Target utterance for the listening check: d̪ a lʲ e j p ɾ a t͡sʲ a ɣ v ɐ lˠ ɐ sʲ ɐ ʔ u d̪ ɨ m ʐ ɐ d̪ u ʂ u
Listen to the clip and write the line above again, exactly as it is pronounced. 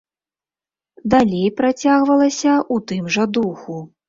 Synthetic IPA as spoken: d̪ a lʲ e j p ɾ a t͡sʲ a ɣ v ɐ lˠ ɐ sʲ ɐ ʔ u t̪ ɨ m ʐ ɐ d̪ u x u